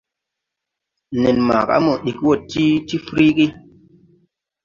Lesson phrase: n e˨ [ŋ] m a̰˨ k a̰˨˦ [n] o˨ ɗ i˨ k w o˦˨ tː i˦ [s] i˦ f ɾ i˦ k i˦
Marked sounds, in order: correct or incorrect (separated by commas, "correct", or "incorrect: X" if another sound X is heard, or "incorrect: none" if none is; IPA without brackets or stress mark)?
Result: incorrect: n, incorrect: m, incorrect: t